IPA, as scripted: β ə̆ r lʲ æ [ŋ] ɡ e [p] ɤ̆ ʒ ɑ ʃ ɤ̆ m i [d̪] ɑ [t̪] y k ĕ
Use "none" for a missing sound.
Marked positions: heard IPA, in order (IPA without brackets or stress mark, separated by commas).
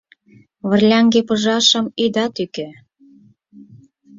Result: ŋ, p, d̪, t̪